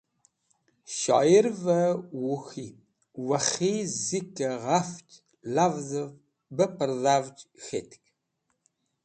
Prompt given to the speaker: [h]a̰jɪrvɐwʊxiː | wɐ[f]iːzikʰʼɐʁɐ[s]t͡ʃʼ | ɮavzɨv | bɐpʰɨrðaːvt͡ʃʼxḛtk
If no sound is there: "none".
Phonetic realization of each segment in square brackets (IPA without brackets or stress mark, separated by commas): ʃ, χ, f